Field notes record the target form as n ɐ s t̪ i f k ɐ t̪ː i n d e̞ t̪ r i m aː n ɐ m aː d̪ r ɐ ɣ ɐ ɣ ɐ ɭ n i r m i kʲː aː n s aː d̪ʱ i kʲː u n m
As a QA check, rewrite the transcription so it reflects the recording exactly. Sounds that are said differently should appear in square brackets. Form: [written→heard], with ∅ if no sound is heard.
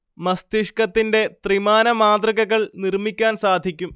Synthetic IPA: [n→m] ɐ s t̪ i [f→ʂ] k ɐ t̪ː i n d e̞ t̪ r i m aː n ɐ m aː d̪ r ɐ ɣ ɐ ɣ ɐ ɭ n i r m i kʲː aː n s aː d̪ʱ i kʲː u [n→∅] m